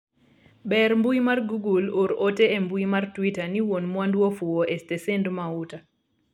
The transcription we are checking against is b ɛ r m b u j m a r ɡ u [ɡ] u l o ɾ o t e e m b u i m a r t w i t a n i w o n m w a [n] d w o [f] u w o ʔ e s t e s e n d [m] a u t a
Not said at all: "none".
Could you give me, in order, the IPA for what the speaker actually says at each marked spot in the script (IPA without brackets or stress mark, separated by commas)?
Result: ɡ, n, f, m